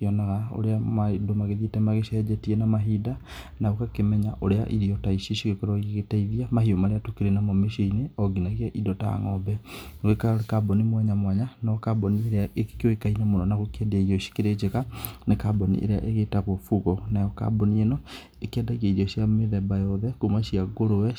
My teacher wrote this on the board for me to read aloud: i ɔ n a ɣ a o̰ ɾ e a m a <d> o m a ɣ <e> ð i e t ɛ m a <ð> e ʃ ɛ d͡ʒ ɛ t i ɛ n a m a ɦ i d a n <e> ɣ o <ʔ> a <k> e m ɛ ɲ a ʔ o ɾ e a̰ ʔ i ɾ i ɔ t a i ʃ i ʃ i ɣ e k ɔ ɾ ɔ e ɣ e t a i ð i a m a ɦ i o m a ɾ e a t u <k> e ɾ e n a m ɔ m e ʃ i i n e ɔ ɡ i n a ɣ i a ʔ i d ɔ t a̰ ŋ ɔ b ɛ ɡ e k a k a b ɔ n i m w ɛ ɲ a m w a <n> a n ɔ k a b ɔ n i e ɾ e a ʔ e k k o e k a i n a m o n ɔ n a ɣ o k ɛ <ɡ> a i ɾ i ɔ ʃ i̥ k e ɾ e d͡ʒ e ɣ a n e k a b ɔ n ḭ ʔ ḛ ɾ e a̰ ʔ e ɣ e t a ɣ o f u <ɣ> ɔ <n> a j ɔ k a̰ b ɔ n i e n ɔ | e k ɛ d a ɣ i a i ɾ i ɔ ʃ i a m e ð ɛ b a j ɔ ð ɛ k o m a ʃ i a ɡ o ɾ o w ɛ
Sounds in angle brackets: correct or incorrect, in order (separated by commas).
correct, correct, incorrect, incorrect, incorrect, correct, correct, incorrect, incorrect, correct, correct